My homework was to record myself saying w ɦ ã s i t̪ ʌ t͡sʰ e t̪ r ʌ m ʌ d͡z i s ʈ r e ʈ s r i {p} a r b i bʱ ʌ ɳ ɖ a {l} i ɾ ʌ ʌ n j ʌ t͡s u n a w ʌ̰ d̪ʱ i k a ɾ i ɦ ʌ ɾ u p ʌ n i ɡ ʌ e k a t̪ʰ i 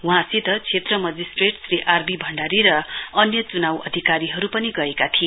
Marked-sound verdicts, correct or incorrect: incorrect, incorrect

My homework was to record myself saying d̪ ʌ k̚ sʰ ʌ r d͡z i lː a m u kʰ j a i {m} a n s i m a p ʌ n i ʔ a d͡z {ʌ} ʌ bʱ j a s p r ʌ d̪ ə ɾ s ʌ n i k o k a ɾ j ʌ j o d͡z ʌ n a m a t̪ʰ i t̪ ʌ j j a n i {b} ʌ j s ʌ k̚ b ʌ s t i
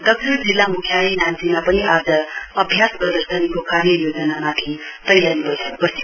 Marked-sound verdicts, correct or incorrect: incorrect, correct, correct

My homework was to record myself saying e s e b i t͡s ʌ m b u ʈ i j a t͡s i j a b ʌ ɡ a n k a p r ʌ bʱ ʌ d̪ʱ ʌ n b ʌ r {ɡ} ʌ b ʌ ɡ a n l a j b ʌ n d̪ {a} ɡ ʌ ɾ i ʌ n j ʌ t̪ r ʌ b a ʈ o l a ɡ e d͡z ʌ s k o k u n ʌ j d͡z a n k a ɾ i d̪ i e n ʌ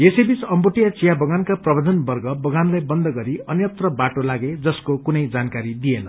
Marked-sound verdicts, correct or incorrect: correct, incorrect

